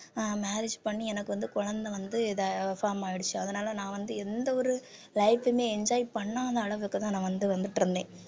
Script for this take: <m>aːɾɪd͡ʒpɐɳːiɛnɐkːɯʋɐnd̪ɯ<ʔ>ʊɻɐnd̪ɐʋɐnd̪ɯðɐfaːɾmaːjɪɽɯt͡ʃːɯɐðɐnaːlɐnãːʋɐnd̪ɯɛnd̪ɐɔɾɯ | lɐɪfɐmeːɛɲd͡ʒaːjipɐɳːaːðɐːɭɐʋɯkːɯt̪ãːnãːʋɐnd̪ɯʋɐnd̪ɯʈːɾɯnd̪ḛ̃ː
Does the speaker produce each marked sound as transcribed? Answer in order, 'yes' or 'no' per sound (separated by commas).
yes, no